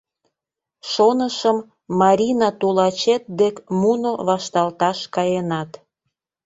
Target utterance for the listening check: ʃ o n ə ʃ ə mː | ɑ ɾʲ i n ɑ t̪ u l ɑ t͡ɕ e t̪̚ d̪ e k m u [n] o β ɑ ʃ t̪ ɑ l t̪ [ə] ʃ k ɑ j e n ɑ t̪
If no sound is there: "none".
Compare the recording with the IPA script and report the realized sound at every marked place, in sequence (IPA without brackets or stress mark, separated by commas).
n, ɑ